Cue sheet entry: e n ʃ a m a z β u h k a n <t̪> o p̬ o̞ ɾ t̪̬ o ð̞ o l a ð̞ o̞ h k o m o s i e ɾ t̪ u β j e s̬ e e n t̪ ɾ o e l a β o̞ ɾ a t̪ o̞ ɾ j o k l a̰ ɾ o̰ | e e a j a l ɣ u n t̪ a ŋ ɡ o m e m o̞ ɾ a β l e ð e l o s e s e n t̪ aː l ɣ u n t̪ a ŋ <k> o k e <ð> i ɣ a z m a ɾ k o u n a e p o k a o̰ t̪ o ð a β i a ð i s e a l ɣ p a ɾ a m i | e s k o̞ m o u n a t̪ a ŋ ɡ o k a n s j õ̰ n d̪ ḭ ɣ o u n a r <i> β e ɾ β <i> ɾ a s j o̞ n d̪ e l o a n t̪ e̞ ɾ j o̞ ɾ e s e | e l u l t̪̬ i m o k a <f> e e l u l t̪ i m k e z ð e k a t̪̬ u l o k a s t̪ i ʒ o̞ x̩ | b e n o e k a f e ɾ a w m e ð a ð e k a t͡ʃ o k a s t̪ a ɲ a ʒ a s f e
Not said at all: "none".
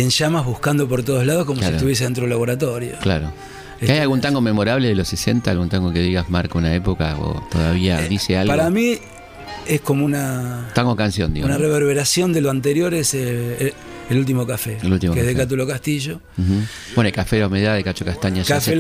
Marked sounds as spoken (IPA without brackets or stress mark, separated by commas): d̪, ɡ, ð, e, e, f